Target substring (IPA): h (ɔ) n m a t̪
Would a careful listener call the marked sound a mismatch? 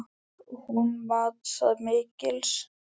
yes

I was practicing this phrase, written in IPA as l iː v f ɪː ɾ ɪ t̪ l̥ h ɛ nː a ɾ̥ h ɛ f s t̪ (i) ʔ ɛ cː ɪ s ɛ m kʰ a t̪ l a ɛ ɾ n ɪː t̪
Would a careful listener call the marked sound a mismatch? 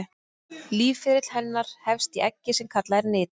no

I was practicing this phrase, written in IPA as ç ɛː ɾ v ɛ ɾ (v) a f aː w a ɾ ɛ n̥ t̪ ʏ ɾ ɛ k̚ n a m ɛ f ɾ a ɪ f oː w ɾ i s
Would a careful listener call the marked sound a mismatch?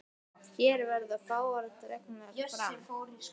yes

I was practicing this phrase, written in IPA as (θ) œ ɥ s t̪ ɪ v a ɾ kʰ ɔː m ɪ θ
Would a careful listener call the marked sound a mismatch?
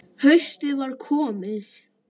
yes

